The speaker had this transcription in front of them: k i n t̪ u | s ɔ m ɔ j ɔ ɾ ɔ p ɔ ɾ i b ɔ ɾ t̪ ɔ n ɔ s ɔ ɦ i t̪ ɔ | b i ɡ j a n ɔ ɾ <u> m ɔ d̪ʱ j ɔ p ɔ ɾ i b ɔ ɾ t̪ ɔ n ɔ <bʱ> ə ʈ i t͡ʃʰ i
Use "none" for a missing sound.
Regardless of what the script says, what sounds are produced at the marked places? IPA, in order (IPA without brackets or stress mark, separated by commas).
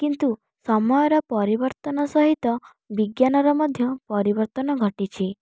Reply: ɔ, ɡʱ